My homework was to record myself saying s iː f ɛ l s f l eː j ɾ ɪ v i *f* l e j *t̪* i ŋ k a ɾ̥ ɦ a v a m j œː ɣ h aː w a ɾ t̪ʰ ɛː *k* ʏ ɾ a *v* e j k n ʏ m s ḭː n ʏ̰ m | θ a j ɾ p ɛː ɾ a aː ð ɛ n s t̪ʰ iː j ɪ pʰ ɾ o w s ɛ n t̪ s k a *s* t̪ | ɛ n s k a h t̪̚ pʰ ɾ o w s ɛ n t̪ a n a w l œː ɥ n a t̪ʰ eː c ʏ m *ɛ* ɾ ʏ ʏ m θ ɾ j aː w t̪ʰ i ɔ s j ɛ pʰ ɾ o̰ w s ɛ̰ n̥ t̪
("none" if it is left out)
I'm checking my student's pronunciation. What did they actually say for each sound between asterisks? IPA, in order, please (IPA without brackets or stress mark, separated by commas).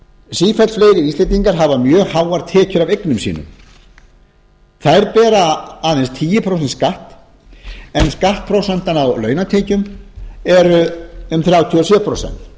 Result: s, t̪, c, v, h, ɛ